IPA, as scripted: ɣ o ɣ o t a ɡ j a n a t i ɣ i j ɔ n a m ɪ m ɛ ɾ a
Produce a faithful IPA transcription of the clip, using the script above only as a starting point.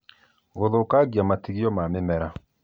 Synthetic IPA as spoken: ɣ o ð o k a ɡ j a m a t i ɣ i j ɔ m a m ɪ m ɛ ɾ a